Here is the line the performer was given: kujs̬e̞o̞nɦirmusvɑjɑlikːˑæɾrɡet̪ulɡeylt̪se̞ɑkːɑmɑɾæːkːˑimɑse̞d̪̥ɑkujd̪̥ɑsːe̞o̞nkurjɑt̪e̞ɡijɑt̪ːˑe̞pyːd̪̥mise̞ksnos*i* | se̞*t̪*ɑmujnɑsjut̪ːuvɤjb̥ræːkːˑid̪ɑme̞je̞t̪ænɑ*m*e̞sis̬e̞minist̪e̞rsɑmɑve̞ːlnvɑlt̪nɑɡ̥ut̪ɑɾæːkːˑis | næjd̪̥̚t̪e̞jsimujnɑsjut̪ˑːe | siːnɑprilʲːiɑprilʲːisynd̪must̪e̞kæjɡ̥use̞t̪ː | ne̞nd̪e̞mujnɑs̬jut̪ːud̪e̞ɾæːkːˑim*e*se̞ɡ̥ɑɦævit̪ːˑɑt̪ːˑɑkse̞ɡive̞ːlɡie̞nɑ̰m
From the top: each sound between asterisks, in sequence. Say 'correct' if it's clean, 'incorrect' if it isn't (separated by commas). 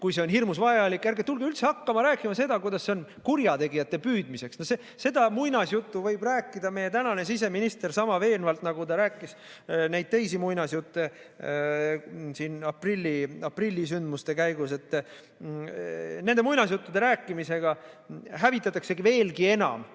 incorrect, incorrect, incorrect, incorrect